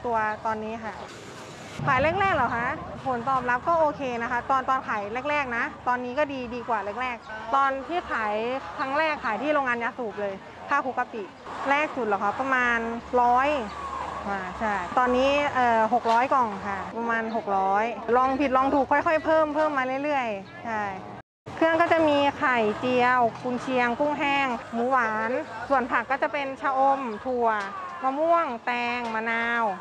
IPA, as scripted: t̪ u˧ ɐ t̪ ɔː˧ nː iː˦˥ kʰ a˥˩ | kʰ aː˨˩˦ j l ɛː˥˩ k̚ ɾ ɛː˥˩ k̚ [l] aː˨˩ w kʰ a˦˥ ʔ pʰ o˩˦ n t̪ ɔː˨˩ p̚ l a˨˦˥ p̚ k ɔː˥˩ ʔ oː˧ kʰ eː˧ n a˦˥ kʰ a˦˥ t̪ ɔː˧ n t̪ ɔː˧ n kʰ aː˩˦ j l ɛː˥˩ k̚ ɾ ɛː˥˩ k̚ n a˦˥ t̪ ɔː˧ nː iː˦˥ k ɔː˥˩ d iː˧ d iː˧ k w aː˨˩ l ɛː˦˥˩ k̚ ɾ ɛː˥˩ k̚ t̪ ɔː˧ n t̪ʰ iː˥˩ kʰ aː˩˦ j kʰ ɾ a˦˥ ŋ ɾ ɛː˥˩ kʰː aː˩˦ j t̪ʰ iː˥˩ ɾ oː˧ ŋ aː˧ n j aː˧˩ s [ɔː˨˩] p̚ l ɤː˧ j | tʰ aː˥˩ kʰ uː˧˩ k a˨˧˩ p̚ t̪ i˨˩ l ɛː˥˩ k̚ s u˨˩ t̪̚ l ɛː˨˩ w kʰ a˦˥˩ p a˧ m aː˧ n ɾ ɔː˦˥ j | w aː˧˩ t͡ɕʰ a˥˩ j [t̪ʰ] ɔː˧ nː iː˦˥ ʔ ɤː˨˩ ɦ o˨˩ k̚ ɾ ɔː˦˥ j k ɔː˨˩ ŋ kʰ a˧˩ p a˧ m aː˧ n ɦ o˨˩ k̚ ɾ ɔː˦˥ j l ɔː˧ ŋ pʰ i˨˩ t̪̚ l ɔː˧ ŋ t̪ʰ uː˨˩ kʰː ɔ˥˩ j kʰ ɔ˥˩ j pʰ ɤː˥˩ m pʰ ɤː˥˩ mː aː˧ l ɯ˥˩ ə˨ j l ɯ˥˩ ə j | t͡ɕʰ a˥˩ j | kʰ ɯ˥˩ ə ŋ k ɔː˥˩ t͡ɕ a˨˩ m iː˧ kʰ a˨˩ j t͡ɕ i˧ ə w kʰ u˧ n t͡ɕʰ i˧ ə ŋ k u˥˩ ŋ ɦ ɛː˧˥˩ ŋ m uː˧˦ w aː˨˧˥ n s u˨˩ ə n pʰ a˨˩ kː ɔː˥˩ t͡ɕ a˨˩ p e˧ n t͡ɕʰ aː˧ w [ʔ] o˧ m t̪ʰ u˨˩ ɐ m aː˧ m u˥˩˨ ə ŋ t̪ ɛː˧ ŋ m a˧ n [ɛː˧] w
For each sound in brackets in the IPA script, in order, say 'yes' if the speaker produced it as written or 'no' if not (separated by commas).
yes, no, no, yes, no